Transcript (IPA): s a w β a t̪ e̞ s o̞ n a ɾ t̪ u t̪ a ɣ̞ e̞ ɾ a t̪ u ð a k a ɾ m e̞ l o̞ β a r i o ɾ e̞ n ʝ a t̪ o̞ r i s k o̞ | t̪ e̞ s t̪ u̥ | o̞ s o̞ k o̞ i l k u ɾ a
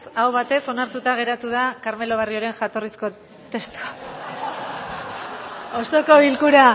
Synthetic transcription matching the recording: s a w β a t̪ e̞ s o̞ n a ɾ t̪ u t̪ a ɣ̞ e̞ ɾ a t̪ u ð a k a ɾ m e̞ l o̞ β a r i o ɾ e̞ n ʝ a t̪ o̞ r i s k o̞ | t̪ e̞ s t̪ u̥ | o̞ s o̞ k o̞ i l k u ɾ a

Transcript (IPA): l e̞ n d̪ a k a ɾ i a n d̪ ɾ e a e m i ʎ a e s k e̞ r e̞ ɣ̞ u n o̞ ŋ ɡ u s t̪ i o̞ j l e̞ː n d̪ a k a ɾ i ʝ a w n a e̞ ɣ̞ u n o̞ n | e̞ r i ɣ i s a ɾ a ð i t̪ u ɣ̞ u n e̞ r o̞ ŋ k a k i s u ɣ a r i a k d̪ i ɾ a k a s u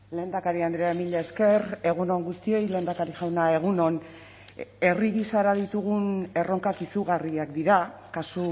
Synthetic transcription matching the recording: l e̞ n d̪ a k a ɾ i a n d̪ ɾ e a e m i ʎ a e s k e̞ r e̞ ɣ̞ u n o̞ ŋ ɡ u s t̪ i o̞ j l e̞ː n d̪ a k a ɾ i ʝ a w n a e̞ ɣ̞ u n o̞ n | e̞ r i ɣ i s a ɾ a ð i t̪ u ɣ̞ u n e̞ r o̞ ŋ k a k i s u ɣ a r i a k d̪ i ɾ a k a s u

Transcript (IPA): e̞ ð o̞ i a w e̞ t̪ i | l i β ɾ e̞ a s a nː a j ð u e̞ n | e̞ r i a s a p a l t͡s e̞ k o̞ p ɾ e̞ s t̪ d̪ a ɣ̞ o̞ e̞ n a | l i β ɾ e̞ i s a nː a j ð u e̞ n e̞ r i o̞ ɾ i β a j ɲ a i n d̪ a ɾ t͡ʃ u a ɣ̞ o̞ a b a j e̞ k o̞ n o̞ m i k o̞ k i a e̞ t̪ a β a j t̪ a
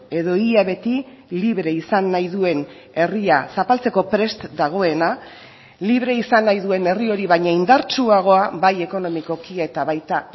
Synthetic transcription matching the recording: e̞ ð o̞ i a β e̞ t̪ i | l i β ɾ e̞ i s a nː a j ð u e̞ n | e̞ r i a s a p a l t͡s e̞ k o̞ p ɾ e̞ s t̪ d̪ a ɣ̞ o̞ e̞ n a | l i β ɾ e̞ i s a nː a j ð u e̞ n e̞ r i o̞ ɾ i β a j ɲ a i n d̪ a ɾ t͡ʃ u a ɣ̞ o̞ a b a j e̞ k o̞ n o̞ m i k o̞ k i a e̞ t̪ a β a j t̪ a

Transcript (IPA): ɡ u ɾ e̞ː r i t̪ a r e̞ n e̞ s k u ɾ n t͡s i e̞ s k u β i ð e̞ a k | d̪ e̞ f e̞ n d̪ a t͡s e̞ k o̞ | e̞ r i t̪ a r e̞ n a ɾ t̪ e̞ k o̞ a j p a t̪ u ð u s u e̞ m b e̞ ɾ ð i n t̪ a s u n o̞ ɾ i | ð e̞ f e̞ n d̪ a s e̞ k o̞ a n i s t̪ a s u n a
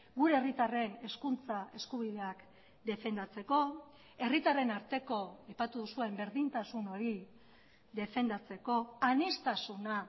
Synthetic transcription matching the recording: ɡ u ɾ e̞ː r i t̪ a r e̞ n e̞ s k u n t͡s a e̞ s k u β i ð e̞ a k | d̪ e̞ f e̞ n d̪ a t͡s e̞ k o̞ | e̞ r i t̪ a r e̞ n a ɾ t̪ e̞ k o̞ a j p a t̪ u ð u s u e̞ m b e̞ ɾ ð i n t̪ a s u n o̞ ɾ i | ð e̞ f e̞ n d̪ a t͡s e̞ k o̞ a n i s t̪ a s u n a

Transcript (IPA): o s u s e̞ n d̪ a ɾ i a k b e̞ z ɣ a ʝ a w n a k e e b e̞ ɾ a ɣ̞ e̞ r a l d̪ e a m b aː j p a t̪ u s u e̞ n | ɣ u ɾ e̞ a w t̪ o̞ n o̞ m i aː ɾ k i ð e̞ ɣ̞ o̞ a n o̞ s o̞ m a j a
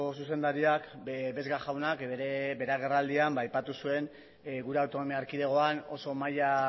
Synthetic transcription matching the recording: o s u s e̞ n d̪ a ɾ i a k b e̞ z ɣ a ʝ a w n a k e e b e̞ ɾ a ɣ̞ e̞ r a l d̪ i a m b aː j p a t̪ u s u e̞ n | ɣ u ɾ e̞ a w t̪ o̞ n o̞ m i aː ɾ k i ð e̞ ɣ̞ o̞ a n o̞ s o̞ m a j a

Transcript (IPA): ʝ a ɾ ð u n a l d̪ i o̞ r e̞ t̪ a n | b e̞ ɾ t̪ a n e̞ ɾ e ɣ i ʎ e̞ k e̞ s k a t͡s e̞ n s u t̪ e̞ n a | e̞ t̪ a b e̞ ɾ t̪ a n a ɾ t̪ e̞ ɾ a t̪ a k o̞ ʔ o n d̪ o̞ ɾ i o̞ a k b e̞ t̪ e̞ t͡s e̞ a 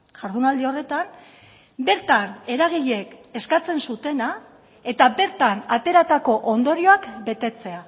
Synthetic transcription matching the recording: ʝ a ɾ ð u n a l d̪ i o̞ r e̞ t̪ a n | b e̞ ɾ t̪ a n e̞ ɾ a ɣ i ʎ e̞ k e̞ s k a t͡s e̞ n s u t̪ e̞ n a | e̞ t̪ a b e̞ ɾ t̪ a n a t̪ e̞ ɾ a t̪ a k o̞ ʔ o n d̪ o̞ ɾ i o̞ a k b e̞ t̪ e̞ t͡s e̞ a

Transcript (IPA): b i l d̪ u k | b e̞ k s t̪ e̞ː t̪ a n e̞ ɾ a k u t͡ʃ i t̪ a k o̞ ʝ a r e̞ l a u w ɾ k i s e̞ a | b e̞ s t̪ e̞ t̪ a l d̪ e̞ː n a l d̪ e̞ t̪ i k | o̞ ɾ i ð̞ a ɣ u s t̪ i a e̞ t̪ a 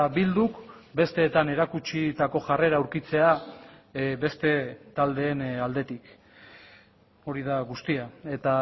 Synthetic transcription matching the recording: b i l d̪ u k | b e̞ s t̪ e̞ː t̪ a n e̞ ɾ a k u t͡ʃ i t̪ a k o̞ ʝ a r e̞ ɾ a u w ɾ k i t͡s e̞ a | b e̞ s t̪ e̞ t̪ a l d̪ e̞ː n a l d̪ e̞ t̪ i k | o̞ ɾ i ð̞ a ɣ u s t̪ i a e̞ t̪ a

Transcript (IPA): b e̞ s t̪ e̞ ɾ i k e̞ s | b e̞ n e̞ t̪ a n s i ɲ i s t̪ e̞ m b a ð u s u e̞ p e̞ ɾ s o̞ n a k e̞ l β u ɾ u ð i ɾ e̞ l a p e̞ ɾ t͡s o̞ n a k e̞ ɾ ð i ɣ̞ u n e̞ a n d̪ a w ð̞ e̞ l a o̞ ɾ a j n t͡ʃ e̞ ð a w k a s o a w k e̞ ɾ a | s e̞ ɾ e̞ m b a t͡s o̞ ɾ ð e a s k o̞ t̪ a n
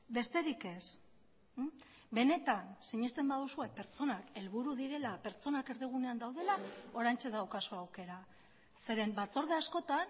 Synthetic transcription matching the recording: b e̞ s t̪ e̞ ɾ i k e̞ s | b e̞ n e̞ t̪ a n s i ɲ i s t̪ e̞ m b a ð u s u e̞ p e̞ ɾ t͡s o̞ n a k e̞ l β u ɾ u ð i ɾ e̞ l a p e̞ ɾ t͡s o̞ n a k e̞ ɾ ð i ɣ̞ u n e̞ a n d̪ a w ð̞ e̞ l a o̞ ɾ a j n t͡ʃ e̞ ð a w k a s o a w k e̞ ɾ a | s e̞ ɾ e̞ m b a t͡s o̞ ɾ ð e a s k o̞ t̪ a n

